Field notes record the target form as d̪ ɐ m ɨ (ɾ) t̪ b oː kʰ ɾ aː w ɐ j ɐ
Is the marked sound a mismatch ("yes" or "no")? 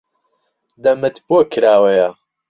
yes